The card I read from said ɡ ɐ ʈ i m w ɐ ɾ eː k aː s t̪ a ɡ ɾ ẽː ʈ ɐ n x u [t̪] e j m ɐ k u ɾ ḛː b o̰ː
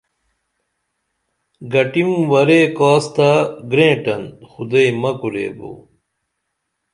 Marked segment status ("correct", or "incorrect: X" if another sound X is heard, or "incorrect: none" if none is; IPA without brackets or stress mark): incorrect: d̪